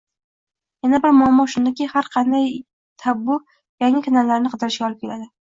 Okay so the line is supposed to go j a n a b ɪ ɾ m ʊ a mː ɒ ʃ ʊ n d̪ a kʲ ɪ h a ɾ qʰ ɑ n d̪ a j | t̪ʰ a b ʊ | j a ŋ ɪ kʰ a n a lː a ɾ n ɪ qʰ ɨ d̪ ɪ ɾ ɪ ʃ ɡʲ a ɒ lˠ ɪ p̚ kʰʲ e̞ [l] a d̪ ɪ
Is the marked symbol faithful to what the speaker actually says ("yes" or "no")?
yes